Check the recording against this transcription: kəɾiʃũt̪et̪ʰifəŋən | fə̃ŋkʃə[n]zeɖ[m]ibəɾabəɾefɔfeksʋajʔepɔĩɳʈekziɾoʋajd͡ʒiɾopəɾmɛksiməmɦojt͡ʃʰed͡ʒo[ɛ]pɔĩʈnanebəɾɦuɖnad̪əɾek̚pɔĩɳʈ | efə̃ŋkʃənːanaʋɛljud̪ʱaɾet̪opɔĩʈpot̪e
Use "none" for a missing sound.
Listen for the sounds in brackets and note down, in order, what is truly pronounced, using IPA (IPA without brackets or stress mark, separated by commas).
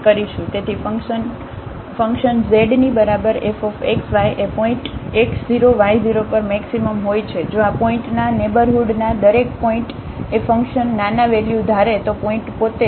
n, n, a